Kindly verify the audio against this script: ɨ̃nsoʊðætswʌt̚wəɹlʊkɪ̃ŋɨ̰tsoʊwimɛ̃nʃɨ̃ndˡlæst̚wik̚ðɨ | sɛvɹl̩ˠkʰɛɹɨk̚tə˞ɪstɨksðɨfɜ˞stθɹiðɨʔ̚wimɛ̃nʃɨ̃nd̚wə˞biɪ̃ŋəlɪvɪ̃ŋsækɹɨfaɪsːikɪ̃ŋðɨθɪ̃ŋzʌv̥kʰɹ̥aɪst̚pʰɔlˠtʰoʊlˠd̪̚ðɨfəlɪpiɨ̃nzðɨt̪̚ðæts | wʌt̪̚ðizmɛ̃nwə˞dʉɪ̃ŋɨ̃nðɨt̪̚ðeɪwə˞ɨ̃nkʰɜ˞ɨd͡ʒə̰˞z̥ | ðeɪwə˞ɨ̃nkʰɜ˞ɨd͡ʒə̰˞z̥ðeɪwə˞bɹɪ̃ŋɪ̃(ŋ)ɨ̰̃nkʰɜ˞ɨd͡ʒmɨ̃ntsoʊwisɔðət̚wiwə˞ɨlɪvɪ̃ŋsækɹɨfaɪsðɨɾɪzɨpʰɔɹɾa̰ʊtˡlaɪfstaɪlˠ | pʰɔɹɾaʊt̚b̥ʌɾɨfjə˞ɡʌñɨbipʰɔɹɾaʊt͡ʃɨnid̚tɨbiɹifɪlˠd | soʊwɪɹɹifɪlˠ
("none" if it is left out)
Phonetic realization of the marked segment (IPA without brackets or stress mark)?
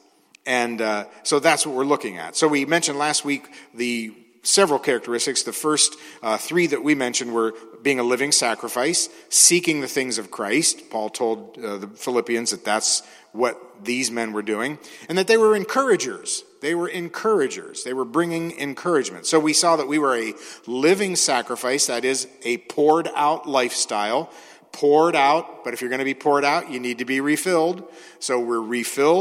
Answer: ŋ